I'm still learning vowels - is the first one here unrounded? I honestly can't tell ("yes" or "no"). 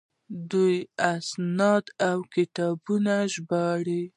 no